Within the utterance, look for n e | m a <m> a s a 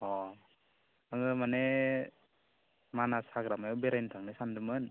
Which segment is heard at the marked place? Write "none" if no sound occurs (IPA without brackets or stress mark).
n